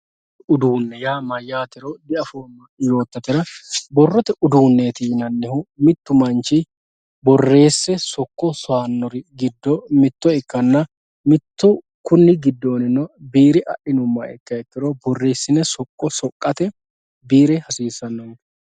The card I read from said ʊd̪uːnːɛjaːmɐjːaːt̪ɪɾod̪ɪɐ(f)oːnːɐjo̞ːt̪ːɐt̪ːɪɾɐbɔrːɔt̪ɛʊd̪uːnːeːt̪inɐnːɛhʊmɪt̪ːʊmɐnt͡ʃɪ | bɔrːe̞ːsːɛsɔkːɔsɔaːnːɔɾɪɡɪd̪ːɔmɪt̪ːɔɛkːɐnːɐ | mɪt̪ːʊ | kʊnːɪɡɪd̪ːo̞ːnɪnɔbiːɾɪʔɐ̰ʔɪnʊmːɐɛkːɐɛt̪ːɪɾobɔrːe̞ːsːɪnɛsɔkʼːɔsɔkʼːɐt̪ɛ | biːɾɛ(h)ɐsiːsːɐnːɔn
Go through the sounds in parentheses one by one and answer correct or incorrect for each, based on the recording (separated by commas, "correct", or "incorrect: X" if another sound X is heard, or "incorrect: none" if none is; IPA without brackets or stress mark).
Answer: correct, correct